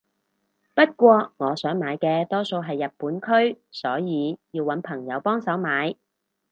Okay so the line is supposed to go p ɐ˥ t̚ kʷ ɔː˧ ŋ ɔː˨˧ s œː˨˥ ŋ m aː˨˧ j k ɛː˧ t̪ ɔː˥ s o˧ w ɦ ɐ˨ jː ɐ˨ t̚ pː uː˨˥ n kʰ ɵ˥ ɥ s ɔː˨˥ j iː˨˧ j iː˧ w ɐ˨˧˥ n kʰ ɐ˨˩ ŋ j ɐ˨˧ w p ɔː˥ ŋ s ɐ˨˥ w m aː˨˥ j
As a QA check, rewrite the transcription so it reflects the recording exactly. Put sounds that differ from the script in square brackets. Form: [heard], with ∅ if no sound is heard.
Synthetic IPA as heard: p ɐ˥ t̚ kʷ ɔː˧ ŋ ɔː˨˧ s œː˨˥ ŋ m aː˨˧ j k ɛː˧ t̪ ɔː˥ s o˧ w ɦ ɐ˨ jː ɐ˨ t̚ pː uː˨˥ n kʰ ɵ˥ ɥ s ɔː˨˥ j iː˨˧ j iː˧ w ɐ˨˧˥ n [pʰ] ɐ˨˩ ŋ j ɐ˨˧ w p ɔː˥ ŋ s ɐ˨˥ w m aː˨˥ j